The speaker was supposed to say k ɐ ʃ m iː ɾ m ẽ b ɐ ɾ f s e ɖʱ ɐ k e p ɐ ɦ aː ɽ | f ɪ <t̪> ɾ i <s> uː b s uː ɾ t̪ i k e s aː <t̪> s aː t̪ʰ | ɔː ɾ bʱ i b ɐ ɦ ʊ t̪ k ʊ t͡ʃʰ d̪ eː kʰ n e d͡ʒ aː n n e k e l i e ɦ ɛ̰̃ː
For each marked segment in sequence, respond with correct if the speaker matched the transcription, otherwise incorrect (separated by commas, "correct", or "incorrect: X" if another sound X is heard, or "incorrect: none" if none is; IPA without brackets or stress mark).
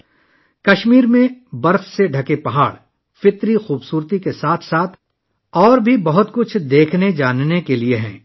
correct, incorrect: x, incorrect: t̪ʰ